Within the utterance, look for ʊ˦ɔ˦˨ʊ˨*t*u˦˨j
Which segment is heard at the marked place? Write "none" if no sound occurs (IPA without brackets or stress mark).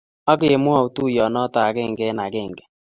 t